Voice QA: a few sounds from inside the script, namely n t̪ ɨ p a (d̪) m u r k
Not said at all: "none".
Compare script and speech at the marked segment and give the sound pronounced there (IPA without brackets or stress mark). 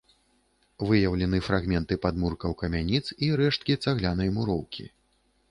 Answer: d̪